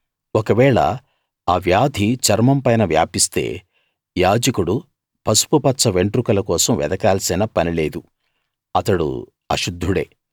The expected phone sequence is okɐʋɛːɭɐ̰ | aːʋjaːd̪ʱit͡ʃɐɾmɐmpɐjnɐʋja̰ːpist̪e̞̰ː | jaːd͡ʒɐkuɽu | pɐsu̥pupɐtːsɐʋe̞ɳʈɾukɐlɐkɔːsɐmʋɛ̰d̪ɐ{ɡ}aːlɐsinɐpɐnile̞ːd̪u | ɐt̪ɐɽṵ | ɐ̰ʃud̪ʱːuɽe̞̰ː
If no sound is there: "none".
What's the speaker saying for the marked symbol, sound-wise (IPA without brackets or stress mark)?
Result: k